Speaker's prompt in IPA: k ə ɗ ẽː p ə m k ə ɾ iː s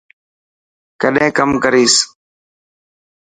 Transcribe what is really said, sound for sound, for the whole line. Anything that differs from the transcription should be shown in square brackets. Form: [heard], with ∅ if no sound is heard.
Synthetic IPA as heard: k ə ɗ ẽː [k] ə m k ə ɾ iː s